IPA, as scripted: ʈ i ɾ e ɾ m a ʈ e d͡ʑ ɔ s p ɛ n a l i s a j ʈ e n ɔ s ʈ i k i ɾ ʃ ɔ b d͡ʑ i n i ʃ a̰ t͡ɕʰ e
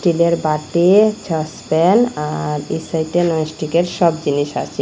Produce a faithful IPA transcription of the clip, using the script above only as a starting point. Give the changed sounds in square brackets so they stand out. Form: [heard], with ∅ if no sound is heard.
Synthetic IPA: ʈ i [l] e ɾ [b] a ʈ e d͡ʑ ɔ s p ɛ n a [ɾ] i s a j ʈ e n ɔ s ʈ i k [e] ɾ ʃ ɔ b d͡ʑ i n i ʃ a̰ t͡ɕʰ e